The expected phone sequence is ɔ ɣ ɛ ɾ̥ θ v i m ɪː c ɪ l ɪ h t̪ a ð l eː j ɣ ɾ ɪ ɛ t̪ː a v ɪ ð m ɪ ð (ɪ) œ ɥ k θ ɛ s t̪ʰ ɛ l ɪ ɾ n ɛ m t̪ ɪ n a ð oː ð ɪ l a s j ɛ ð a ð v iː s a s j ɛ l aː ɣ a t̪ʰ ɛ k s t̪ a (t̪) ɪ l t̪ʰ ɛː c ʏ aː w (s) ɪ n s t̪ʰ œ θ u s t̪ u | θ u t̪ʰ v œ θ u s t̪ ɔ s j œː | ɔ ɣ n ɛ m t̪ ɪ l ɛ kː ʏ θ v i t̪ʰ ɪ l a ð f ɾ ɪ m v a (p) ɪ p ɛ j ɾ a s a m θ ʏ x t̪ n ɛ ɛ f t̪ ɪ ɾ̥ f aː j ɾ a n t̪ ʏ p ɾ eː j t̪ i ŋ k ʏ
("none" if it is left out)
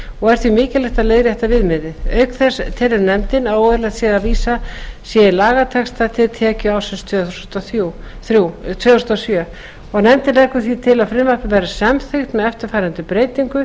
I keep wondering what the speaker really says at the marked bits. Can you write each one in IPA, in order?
ɪ, t̪ʰ, s, p

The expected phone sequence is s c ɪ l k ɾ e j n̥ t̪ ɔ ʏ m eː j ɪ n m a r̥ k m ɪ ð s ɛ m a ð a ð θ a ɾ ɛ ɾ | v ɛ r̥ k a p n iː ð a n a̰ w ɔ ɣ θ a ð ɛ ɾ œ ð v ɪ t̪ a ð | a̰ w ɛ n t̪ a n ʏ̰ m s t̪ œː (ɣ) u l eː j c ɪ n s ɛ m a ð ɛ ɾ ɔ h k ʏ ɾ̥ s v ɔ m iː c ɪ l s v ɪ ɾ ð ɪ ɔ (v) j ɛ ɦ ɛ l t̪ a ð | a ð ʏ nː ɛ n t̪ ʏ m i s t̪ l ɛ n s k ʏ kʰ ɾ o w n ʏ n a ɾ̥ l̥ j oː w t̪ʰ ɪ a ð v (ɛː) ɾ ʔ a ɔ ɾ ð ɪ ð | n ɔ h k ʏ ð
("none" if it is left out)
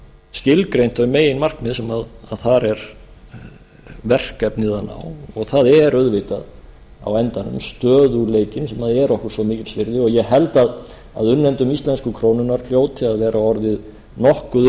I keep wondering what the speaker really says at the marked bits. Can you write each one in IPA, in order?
ð, ɣ, ɛː

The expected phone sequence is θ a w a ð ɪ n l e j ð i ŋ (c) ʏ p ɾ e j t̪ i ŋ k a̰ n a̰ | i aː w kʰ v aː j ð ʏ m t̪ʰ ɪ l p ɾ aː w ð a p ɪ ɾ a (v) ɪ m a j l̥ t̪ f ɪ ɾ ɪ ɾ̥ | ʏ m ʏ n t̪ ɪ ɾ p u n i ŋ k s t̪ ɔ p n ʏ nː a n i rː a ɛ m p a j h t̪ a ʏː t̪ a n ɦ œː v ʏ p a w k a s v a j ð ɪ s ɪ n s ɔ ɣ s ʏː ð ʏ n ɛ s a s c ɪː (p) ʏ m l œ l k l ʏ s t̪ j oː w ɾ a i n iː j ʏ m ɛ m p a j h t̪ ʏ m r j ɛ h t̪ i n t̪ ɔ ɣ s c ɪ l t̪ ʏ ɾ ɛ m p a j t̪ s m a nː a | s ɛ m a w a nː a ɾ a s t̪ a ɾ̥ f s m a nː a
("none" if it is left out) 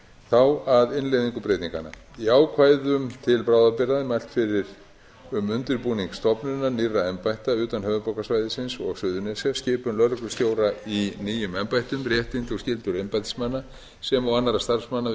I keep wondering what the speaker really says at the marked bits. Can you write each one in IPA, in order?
k, ð, p

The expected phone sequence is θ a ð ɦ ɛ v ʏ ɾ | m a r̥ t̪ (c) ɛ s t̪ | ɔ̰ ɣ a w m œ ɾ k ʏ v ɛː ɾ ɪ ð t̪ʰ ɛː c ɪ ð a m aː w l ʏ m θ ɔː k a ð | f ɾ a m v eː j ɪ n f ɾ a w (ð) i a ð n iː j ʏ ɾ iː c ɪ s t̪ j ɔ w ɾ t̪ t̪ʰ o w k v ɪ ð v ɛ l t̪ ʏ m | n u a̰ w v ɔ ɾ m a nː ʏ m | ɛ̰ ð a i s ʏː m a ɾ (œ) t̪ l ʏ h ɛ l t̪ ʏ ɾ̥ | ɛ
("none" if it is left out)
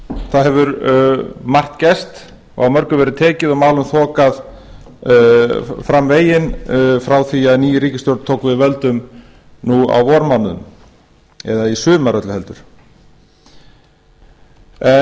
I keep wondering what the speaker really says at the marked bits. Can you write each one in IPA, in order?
c, θ, œ

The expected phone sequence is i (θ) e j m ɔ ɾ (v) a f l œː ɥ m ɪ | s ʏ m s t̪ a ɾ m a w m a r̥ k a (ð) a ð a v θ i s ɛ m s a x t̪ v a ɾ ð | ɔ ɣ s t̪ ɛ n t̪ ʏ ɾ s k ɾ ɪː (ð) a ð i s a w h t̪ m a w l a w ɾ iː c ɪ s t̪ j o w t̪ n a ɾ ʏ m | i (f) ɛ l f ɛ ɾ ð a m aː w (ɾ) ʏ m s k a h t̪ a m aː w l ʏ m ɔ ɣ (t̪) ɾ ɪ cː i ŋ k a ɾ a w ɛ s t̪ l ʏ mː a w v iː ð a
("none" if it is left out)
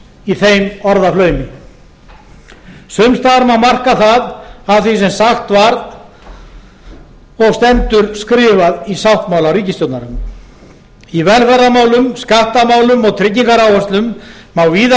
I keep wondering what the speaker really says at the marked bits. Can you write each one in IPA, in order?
θ, ð, θ, v, v, l, t̪ʰ

